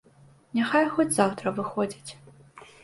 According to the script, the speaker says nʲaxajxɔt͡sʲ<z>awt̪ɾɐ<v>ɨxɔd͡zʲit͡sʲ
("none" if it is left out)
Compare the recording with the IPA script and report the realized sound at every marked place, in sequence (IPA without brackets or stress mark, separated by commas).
z, v